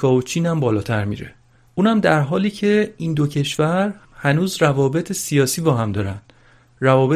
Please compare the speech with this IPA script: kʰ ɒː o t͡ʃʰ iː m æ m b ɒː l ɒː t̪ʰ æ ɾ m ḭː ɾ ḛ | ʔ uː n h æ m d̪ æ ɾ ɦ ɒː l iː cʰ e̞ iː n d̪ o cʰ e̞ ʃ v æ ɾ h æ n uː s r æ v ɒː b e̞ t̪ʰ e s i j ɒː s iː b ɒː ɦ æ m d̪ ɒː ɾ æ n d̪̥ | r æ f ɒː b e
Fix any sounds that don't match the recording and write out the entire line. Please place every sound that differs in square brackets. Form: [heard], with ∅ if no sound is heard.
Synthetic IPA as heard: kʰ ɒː o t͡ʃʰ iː [n] æ m b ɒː l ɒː t̪ʰ æ ɾ m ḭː ɾ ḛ | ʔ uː n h æ m d̪ æ ɾ ɦ ɒː l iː cʰ e̞ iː n d̪ o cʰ e̞ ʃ v æ ɾ h æ n uː [z] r æ v ɒː b e̞ t̪ʰ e s i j ɒː s iː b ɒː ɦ æ m d̪ ɒː ɾ æ n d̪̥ | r æ [v] ɒː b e